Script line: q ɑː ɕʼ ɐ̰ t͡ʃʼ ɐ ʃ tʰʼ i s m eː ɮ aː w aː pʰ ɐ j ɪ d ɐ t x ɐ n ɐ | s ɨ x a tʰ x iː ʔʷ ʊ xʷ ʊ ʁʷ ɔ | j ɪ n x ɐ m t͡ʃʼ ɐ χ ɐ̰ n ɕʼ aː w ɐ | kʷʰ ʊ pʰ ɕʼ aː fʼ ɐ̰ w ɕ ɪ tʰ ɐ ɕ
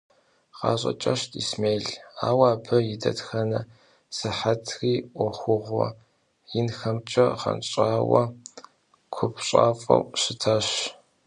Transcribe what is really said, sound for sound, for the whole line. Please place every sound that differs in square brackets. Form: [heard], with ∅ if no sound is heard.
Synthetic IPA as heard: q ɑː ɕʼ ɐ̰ t͡ʃʼ ɐ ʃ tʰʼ i s m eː ɮ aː w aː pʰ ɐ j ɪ d ɐ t x ɐ n ɐ | s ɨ [ħ] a tʰ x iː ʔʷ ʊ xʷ ʊ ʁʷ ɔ | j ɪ n x ɐ m t͡ʃʼ ɐ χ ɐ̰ n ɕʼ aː w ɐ | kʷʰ ʊ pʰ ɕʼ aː fʼ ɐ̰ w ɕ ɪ tʰ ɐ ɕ